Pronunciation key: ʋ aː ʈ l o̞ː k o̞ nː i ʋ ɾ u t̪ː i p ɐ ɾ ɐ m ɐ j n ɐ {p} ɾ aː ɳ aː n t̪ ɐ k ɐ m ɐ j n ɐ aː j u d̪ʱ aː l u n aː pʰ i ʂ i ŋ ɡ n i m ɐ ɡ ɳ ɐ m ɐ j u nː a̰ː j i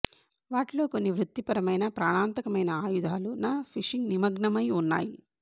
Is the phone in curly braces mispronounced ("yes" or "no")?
no